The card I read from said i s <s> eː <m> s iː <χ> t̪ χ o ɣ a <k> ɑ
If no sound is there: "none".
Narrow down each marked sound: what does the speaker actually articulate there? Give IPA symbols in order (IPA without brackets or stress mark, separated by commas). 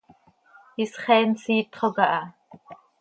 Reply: χ, n, none, ʔ